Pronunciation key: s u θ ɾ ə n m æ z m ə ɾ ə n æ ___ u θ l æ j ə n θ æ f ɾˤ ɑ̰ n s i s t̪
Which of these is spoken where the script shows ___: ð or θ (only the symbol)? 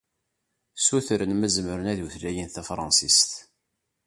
ð